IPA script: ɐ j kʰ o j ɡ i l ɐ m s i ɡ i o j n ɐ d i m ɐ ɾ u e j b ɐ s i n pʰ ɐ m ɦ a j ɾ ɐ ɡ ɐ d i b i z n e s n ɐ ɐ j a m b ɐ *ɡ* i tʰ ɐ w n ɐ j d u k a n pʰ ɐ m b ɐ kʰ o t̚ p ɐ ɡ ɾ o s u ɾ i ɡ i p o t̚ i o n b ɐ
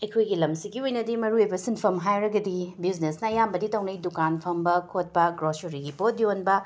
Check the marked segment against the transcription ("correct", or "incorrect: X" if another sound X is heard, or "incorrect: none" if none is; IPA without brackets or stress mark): incorrect: d